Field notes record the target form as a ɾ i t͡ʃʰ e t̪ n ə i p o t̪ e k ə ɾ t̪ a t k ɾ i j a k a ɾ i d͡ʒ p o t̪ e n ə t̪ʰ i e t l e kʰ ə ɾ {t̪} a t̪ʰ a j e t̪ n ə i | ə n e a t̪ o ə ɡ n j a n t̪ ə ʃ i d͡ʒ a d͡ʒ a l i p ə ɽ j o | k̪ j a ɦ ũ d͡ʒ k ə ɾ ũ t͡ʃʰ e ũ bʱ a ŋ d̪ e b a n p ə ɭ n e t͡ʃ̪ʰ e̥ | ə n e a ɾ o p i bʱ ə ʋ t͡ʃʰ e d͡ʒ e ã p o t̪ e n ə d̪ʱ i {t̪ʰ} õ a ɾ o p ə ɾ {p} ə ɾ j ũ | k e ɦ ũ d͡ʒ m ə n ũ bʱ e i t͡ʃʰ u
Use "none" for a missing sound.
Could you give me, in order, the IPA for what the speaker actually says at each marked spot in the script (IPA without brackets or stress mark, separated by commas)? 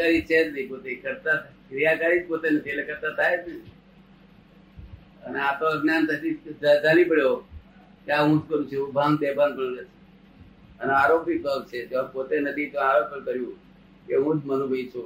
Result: t̪, t̪, k